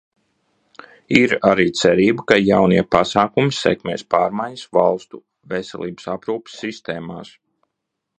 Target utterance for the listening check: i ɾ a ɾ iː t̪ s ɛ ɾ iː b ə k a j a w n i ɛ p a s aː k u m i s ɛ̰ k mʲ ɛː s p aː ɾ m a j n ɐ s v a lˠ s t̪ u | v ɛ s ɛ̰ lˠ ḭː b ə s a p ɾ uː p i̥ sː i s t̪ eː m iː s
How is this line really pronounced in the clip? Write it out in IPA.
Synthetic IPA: i ɾ a ɾ iː t̪ s ɛ ɾ iː b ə k a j a w n i ɛ p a s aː k u m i s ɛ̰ k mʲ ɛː s p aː ɾ m a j ɲ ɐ s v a lˠ s t̪ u | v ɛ s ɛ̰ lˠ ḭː b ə s a p ɾ uː p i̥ sː i s t̪ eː m aː s